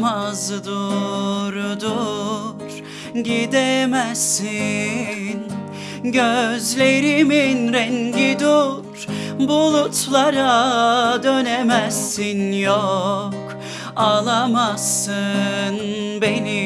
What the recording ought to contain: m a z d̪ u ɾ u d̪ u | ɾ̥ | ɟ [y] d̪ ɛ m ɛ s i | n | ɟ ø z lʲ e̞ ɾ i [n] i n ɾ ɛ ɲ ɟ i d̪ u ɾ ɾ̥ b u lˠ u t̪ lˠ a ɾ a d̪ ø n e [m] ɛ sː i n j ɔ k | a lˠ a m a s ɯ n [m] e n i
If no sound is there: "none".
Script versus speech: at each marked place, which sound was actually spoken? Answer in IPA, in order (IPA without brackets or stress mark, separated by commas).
i, m, m, b